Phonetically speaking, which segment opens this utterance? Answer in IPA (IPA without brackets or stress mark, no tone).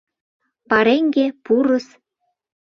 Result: p